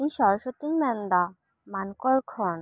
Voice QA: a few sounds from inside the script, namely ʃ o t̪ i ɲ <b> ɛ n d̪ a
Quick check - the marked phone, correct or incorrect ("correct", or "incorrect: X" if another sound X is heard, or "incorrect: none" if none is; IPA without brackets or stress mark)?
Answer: incorrect: m